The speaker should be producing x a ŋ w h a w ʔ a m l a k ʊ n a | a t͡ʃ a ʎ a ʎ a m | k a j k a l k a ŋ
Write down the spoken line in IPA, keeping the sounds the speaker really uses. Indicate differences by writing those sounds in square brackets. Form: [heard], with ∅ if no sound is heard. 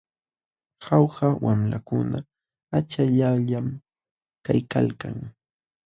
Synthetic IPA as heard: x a [∅] w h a w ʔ a m l a k ʊ n a | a t͡ʃ a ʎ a ʎ a m | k a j k a l k a ŋ

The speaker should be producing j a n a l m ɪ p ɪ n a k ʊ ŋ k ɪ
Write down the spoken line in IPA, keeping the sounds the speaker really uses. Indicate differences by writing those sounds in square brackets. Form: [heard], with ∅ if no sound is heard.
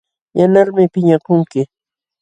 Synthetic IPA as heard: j a n a [ɾ] m ɪ p ɪ [ɲ] a k ʊ ŋ k ɪ

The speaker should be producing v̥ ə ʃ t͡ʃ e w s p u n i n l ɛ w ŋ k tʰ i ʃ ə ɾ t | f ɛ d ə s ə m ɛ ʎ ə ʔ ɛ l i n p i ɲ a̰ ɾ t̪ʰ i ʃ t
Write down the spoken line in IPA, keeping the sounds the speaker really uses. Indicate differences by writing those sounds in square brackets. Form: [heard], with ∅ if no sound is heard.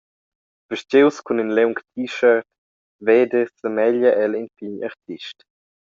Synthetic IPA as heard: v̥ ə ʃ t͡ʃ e w s [k] u n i n l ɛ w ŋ k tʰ i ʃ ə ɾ t | [v] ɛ d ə s ə m ɛ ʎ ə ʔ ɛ l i n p i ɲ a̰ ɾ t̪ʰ i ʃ t

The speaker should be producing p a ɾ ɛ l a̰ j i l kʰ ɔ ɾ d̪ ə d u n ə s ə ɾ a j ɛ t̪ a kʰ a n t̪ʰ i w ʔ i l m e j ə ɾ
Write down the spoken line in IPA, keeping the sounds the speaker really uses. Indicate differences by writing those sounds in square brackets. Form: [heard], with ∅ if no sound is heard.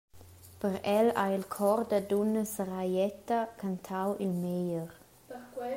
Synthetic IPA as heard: p [ə] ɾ ɛ l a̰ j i l kʰ ɔ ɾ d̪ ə d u n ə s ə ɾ a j ɛ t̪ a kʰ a n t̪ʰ [a] w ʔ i l m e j ə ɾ

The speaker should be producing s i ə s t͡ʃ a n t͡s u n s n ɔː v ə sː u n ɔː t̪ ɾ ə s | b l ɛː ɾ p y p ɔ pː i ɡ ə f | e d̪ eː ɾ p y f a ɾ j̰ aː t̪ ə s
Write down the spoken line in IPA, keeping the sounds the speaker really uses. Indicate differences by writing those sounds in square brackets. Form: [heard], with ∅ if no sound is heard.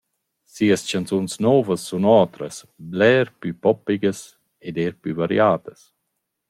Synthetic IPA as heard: s i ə s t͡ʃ a n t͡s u n s n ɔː v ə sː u n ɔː t̪ ɾ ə s | b l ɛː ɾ p y p ɔ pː i ɡ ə [s] | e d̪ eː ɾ p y [v] a ɾ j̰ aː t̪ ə s

